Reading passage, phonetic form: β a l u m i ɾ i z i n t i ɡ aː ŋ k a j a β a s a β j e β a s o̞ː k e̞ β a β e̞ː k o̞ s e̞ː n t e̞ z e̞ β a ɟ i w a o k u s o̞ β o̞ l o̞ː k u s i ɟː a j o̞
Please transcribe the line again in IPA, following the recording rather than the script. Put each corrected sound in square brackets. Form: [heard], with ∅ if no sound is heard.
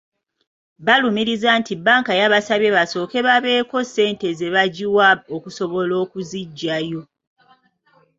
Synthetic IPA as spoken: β a l u m i ɾ i z [a] n t i [b] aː ŋ k a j a β a s a β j e β a s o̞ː k e̞ β a β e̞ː k o̞ s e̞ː n t e̞ z e̞ β a ɟ i w a o k u s o̞ β o̞ l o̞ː k u [z] i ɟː a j o̞